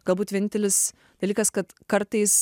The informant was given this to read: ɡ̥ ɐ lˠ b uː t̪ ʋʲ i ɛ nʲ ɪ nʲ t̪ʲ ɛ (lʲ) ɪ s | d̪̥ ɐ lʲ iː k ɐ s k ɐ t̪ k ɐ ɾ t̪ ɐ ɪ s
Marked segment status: correct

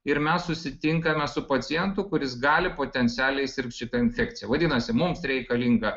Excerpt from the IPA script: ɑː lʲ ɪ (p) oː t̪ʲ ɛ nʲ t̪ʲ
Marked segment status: correct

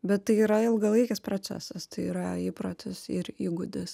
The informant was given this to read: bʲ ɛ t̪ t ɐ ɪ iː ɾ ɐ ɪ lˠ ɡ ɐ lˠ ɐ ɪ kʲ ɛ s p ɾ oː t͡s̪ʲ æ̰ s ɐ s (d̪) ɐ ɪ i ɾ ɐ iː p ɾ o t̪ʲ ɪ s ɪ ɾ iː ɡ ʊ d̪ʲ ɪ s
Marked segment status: incorrect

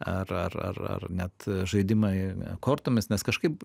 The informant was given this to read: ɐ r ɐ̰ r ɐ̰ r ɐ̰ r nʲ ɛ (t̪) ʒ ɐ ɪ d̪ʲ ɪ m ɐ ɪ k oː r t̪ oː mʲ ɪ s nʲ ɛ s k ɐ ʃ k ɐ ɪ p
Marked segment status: correct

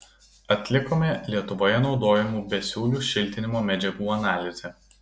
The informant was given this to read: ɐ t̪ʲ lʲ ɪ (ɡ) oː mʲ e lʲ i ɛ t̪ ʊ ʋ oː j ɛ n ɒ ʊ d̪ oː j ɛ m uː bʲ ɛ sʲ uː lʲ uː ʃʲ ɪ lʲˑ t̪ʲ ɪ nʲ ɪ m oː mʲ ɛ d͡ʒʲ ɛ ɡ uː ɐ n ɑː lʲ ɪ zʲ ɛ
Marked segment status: incorrect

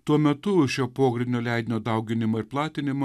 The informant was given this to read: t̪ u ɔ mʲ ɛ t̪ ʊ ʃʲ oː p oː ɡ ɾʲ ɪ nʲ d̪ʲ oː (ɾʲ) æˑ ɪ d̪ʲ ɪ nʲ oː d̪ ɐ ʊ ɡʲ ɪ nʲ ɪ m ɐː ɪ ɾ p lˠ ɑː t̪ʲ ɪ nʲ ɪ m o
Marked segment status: incorrect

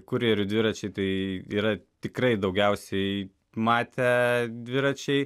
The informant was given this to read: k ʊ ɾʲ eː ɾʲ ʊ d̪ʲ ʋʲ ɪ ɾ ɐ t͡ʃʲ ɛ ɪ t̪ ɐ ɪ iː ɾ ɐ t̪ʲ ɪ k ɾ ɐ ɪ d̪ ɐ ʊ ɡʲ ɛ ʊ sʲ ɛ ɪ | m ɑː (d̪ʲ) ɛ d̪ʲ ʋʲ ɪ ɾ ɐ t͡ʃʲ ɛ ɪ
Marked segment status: incorrect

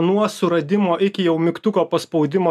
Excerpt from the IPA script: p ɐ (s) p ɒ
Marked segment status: correct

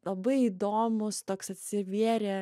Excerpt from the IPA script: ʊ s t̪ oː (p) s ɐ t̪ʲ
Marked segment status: incorrect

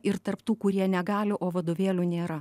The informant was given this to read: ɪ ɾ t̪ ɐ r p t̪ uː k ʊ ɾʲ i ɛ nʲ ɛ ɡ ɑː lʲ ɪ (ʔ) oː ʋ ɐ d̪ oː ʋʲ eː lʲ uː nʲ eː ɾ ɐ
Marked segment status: correct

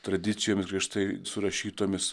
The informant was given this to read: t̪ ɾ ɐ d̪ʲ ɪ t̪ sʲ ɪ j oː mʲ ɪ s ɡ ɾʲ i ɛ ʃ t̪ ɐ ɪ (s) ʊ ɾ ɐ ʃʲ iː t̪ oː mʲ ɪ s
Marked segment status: correct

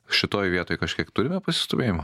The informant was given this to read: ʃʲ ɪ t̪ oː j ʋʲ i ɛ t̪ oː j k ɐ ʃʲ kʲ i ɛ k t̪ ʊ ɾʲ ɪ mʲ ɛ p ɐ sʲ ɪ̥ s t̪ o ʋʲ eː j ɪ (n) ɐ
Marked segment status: incorrect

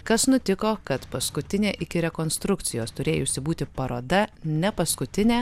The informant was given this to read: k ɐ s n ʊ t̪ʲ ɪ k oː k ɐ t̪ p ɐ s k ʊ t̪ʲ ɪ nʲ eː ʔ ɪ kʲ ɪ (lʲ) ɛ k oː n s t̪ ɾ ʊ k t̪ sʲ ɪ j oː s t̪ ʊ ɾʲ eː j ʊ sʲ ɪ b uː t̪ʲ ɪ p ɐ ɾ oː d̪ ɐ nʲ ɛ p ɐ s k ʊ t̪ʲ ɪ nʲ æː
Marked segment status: incorrect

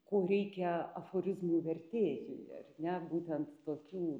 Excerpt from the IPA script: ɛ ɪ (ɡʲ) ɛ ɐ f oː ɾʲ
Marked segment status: incorrect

